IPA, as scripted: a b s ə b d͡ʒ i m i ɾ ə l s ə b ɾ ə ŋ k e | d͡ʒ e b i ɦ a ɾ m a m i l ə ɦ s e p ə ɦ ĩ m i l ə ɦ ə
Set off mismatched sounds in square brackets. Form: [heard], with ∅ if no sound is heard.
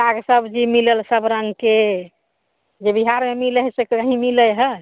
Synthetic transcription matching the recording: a [ɡ] s ə b d͡ʒ i m i [l] ə l s ə b ɾ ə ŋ k e | d͡ʒ e b i ɦ a ɾ m [e] m i l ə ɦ s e [k] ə ɦ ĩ m i l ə ɦ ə